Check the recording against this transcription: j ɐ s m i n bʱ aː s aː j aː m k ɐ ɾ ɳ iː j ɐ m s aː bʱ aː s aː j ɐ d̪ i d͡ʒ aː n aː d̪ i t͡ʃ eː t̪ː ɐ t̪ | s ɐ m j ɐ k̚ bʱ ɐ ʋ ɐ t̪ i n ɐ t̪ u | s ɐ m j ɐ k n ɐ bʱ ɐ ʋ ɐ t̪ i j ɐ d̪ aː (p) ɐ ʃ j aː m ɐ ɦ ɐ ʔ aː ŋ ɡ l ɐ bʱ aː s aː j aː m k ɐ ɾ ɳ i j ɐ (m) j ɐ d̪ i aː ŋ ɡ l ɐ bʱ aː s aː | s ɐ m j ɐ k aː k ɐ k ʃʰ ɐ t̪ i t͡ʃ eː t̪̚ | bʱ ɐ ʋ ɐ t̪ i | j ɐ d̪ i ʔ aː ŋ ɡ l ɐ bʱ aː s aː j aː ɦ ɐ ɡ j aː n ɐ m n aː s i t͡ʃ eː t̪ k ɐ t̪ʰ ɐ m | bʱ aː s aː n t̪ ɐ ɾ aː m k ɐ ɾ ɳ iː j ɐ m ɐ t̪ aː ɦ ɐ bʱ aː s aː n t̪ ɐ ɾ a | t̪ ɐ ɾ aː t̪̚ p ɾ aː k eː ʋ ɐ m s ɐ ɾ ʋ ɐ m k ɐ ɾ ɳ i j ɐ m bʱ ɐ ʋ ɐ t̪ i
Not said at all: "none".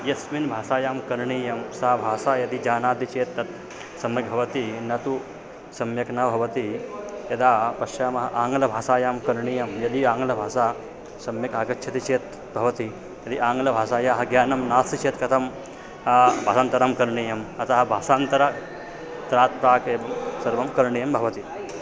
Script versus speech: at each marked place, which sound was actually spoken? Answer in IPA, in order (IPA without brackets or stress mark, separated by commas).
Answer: p, m